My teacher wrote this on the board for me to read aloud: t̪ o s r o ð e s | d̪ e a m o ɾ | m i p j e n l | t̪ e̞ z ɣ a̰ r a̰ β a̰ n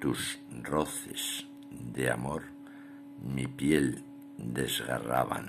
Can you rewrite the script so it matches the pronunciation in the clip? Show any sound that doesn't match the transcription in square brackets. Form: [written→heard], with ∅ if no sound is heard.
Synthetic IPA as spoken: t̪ [o→u] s r o [ð→θ] e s | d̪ e a m o ɾ | m i p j e [n→∅] l | [t̪→d̪] e̞ z ɣ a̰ r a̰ β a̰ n